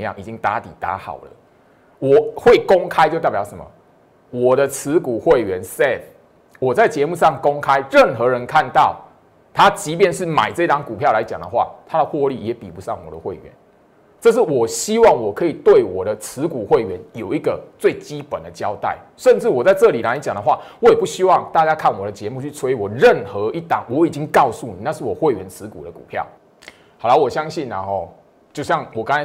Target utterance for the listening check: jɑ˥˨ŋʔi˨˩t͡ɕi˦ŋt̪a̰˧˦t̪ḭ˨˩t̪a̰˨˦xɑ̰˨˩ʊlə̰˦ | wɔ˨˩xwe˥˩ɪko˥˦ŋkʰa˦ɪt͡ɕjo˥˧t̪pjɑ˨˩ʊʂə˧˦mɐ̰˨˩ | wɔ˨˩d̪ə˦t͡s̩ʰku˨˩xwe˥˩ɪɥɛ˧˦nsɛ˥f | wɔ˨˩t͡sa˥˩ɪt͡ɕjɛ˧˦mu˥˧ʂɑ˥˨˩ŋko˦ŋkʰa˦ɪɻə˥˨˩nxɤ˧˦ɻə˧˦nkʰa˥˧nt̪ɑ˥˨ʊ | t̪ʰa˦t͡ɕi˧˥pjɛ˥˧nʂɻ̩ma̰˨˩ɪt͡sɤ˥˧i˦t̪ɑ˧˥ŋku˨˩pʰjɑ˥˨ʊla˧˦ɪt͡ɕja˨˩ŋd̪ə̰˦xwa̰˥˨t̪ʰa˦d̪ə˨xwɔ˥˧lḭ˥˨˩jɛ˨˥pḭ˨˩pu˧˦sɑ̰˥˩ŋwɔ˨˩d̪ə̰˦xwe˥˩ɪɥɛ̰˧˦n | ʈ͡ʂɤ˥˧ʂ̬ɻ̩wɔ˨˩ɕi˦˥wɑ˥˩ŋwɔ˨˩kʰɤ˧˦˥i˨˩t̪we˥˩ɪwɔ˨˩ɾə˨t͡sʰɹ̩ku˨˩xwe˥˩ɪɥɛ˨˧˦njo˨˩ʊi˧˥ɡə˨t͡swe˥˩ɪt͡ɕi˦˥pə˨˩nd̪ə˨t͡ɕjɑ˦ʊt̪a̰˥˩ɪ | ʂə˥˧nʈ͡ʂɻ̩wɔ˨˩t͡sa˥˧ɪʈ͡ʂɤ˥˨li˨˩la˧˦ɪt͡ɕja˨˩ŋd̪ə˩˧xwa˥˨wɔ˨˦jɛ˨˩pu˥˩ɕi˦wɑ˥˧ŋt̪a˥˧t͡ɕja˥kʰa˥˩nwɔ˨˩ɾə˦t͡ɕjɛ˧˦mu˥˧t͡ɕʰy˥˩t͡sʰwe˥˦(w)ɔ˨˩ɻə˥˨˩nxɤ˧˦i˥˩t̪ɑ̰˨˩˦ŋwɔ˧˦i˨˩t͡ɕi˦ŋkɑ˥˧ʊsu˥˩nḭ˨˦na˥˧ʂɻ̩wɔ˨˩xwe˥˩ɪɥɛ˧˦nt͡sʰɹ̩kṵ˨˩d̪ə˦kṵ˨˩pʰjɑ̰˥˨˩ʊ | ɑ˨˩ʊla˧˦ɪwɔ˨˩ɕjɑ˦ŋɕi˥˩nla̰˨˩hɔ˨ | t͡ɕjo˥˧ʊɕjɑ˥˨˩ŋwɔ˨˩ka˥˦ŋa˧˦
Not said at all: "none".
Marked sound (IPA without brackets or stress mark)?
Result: w